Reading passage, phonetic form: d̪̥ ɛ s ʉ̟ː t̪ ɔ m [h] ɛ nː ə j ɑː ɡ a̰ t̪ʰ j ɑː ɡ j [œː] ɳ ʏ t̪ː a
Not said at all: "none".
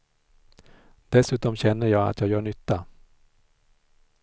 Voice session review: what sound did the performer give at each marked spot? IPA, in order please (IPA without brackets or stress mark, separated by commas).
ɕ, œː